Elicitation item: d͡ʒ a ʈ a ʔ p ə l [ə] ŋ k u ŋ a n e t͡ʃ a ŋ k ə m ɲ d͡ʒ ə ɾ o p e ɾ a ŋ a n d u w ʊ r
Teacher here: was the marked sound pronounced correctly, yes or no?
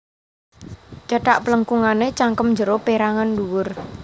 yes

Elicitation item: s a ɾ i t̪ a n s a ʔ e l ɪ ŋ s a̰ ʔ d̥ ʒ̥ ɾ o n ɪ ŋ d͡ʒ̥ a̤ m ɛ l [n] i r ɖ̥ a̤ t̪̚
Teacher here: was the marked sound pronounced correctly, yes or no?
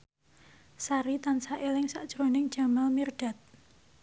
no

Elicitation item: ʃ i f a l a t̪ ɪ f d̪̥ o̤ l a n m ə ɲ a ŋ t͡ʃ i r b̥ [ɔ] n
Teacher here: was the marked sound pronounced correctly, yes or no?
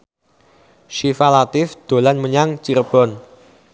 yes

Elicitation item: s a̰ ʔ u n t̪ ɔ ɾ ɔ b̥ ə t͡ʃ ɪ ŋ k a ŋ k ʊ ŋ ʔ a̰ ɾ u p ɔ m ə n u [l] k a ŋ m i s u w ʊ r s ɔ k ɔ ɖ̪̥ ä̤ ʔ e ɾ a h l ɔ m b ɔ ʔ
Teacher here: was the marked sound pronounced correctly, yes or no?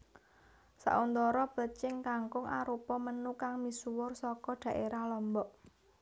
no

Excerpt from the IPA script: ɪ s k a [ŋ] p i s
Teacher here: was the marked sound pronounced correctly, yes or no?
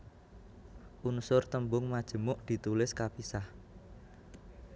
no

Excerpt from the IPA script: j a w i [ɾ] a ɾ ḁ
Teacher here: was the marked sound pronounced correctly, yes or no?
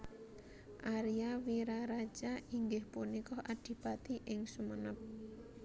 yes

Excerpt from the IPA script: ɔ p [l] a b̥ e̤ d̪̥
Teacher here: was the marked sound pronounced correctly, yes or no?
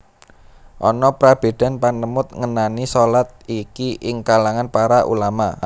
no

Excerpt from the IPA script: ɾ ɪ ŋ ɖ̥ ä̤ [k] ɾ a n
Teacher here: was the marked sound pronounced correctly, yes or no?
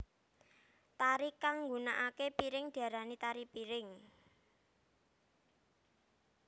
no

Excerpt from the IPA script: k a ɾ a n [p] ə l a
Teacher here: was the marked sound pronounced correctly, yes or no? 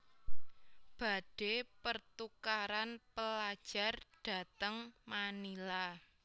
yes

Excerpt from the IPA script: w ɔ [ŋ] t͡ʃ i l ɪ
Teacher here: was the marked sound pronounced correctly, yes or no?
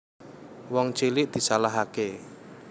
yes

